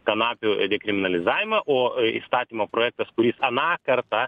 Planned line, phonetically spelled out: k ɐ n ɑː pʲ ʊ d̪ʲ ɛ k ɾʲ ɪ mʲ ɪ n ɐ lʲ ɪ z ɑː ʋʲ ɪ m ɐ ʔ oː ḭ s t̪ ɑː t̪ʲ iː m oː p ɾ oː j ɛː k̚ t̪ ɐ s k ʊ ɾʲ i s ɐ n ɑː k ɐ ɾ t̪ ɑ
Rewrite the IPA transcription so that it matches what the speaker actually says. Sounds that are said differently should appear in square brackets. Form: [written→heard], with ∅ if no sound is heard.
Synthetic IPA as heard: k ɐ n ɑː pʲ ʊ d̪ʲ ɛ k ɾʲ ɪ mʲ ɪ n ɐ lʲ ɪ z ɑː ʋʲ ɪ m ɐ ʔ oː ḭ s t̪ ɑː t̪ʲ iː m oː p ɾ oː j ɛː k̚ t̪ ɐ s k ʊ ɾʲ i s ɐ n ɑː k ɐ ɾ t̪ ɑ